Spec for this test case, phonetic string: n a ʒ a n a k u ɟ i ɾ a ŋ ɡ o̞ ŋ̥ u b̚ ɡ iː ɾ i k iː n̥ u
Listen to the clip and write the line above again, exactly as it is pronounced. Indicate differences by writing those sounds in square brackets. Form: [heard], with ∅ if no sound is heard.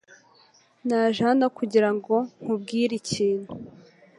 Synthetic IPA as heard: n a ʒ a n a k u ɟ i ɾ a ŋ ɡ o̞ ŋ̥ u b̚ ɡ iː ɾ i [c] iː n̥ u